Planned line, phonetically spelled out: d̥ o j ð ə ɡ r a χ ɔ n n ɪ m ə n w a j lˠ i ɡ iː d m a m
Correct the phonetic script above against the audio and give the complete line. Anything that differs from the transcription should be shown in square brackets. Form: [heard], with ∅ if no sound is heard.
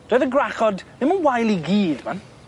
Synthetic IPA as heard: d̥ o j ð ə ɡ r a χ ɔ [d] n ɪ m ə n w a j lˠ i ɡ iː d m a [n]